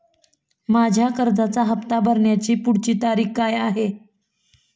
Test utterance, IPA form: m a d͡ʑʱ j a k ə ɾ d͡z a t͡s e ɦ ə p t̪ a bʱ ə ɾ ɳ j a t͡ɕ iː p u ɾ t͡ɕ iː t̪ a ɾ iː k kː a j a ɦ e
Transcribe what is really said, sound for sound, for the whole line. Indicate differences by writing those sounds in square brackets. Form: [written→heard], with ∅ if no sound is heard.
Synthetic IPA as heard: m a d͡ʑʱ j a k ə ɾ d͡z a t͡s [e→a] ɦ ə p t̪ a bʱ ə ɾ ɳ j a t͡ɕ iː p u [ɾ→ɽ] t͡ɕ iː t̪ a ɾ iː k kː a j a ɦ e

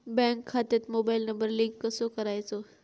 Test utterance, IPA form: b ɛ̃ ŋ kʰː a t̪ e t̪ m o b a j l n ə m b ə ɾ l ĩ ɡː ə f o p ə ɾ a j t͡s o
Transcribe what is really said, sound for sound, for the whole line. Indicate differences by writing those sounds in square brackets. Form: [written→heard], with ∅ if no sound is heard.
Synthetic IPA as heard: b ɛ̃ ŋ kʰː a t̪ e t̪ m o b a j l n ə m b ə ɾ l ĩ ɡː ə [f→s] o [p→k] ə ɾ a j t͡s o

